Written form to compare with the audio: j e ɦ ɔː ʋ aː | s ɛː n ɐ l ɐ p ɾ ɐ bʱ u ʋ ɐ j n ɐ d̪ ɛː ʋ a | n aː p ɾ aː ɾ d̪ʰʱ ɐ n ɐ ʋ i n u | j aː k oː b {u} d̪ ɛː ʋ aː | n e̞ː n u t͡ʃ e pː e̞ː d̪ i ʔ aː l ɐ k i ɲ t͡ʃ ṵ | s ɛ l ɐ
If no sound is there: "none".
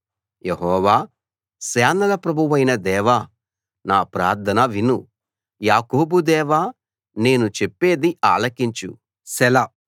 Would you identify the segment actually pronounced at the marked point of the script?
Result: u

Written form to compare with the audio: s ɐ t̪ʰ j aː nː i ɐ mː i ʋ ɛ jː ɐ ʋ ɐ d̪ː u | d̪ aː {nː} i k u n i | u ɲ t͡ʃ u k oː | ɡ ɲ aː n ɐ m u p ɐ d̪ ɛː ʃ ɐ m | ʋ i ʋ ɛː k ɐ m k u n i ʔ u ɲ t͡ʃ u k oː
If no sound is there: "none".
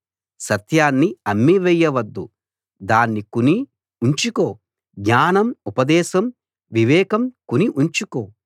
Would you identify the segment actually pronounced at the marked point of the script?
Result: nː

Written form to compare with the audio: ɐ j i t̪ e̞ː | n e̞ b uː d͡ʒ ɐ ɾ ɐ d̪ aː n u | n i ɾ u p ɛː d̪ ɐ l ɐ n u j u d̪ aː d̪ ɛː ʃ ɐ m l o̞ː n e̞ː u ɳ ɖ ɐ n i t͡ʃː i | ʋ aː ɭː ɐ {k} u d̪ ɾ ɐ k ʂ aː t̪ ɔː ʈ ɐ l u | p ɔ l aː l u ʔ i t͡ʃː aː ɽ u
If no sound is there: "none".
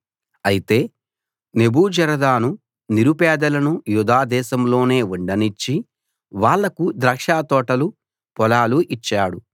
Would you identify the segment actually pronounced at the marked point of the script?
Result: k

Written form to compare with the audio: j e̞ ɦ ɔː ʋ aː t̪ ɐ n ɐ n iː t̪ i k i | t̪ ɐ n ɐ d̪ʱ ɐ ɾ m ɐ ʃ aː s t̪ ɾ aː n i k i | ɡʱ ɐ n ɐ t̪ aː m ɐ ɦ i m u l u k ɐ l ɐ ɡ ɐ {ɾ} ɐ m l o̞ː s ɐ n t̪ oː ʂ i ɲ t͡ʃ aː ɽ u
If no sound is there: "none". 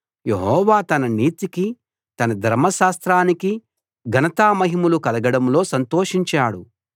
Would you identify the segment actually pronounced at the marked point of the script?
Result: ɽ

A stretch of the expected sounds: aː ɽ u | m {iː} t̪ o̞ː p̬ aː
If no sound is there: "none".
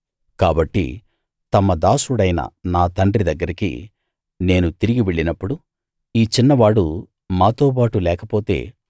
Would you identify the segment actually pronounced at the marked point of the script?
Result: aː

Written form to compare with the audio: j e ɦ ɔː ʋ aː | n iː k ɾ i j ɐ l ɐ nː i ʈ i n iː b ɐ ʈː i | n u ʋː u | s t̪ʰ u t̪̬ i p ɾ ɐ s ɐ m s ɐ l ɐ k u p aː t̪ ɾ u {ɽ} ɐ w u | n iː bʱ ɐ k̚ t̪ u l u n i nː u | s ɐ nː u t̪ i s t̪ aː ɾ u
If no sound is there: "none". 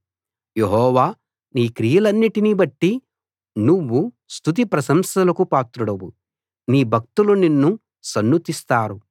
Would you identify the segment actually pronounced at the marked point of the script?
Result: ɽ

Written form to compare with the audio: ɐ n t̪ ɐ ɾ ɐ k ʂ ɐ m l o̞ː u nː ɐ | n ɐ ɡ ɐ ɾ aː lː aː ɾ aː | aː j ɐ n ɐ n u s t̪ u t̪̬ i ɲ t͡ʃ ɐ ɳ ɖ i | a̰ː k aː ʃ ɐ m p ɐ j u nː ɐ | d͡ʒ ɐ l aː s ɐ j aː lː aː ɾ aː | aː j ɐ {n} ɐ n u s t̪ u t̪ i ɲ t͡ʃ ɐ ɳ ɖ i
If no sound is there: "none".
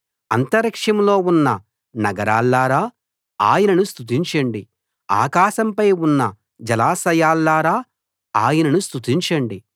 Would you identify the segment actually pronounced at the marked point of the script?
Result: n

